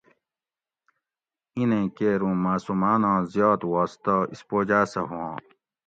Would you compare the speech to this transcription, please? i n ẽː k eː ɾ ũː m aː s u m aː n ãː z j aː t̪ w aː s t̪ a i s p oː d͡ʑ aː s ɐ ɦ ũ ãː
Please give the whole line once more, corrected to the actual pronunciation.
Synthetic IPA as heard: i n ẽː k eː ɾ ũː m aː s u m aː n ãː z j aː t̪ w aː s t̪ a i s p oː d͡ʑ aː s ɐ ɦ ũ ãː